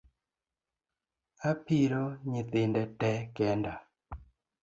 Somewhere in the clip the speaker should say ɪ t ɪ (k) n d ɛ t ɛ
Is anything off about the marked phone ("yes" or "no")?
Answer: yes